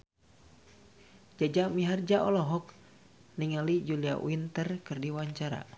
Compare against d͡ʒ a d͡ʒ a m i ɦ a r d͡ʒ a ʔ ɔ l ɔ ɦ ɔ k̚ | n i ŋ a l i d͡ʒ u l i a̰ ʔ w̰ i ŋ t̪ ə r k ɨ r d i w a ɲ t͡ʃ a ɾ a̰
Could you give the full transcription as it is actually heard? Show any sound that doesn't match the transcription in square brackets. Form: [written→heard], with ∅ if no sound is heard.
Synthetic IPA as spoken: d͡ʒ a d͡ʒ a m i ɦ a r d͡ʒ a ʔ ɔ l ɔ ɦ ɔ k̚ | n i ŋ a l i d͡ʒ u l i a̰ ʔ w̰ i [ŋ→n] t̪ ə r k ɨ r d i w a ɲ t͡ʃ a ɾ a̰